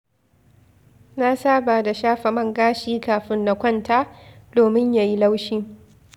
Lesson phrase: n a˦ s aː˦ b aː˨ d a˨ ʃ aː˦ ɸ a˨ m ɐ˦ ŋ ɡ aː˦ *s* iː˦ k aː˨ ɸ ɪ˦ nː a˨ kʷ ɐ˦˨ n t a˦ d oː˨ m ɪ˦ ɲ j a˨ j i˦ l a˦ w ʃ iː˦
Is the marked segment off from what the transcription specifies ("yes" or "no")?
yes